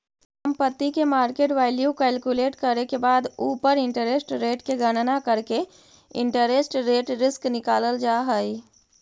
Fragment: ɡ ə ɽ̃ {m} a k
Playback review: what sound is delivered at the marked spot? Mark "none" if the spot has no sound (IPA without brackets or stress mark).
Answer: n